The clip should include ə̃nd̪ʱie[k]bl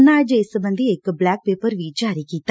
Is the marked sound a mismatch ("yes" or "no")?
no